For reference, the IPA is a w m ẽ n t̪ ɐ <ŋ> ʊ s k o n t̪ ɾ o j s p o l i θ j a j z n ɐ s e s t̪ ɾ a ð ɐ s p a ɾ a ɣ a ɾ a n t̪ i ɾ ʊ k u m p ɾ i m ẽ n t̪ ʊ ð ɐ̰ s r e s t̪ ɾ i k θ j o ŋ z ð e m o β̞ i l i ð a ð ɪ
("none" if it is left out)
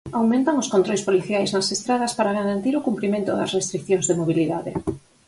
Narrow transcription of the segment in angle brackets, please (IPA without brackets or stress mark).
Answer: ŋ